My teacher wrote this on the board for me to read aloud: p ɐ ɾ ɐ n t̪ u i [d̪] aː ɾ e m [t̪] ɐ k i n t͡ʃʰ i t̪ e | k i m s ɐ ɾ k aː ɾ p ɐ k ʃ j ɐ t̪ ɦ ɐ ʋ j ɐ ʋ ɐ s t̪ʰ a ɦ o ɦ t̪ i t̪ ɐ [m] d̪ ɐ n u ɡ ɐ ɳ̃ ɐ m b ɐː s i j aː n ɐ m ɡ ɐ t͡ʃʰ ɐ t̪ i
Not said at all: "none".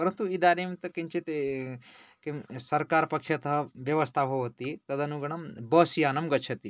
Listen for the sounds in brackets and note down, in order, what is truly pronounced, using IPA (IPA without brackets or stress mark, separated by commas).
d̪, t̪, none